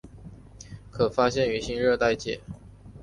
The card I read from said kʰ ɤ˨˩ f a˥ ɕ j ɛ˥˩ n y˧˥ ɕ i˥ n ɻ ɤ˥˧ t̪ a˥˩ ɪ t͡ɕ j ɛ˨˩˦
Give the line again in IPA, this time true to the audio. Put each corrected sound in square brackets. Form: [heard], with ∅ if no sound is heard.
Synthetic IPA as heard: kʰ ɤ˨˩ f a˥ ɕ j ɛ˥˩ n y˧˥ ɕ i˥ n ɻ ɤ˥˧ t̪ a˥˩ ɪ t͡ɕ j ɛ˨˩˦